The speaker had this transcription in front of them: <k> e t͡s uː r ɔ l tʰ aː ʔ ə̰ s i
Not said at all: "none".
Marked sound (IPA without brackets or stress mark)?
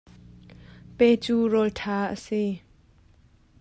p